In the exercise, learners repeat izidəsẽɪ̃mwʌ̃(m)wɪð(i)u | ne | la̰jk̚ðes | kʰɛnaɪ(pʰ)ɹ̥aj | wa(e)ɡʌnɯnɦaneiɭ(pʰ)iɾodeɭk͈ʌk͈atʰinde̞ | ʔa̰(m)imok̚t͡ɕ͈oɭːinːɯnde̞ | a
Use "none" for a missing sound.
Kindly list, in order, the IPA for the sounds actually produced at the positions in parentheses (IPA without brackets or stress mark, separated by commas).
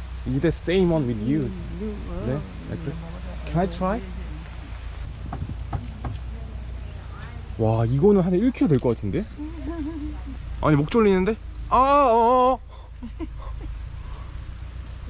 n, j, tʰ, i, kʰ, ɲ